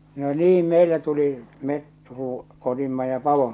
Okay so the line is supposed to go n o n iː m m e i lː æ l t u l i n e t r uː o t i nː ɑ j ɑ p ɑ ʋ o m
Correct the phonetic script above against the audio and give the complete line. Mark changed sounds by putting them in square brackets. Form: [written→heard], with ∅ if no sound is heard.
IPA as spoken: n o n iː m m e i lː æ [l→∅] t u l i [n→m] e t r uː o t i [nː→mː] ɑ j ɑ p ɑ ʋ o m